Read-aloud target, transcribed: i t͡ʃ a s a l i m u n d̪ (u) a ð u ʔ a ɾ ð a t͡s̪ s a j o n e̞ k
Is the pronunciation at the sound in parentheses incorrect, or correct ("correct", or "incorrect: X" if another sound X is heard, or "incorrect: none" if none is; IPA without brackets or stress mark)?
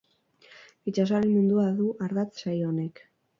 correct